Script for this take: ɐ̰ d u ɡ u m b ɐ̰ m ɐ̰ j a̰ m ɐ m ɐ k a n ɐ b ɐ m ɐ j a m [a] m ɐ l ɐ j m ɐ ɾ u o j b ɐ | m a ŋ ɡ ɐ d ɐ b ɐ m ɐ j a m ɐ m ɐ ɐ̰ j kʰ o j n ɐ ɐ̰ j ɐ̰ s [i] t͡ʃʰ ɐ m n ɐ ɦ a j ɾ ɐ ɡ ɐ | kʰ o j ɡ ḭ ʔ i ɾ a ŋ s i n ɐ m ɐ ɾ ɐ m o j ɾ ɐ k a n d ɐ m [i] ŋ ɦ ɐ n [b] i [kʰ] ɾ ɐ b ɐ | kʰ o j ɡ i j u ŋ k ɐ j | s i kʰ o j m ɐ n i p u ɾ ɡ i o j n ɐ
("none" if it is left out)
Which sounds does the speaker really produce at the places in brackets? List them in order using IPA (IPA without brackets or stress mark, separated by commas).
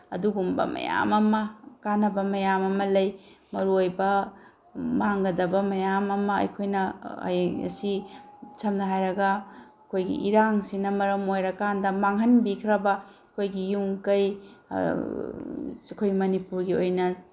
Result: ɐ, i, a, b, kʰ